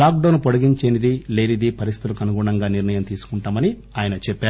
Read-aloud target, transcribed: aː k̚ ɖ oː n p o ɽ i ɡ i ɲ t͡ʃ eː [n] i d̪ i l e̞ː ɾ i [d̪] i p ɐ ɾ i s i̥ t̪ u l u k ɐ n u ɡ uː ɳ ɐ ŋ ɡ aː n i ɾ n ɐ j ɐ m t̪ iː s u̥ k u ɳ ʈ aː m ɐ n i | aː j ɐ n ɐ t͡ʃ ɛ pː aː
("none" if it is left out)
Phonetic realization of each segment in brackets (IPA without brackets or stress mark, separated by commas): n, d̪